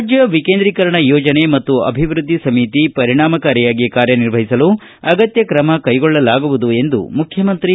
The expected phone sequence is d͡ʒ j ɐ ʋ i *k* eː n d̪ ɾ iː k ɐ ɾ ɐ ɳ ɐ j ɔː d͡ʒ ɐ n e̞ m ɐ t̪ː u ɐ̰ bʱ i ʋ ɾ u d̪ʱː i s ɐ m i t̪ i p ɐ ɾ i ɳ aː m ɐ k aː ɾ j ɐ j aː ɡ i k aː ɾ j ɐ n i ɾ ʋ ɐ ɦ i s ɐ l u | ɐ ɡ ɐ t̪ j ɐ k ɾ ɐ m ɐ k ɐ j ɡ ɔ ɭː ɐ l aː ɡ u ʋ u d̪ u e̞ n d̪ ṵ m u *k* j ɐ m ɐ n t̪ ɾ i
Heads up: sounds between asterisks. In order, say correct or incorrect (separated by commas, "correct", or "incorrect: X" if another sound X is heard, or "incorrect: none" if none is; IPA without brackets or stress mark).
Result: correct, incorrect: kʰ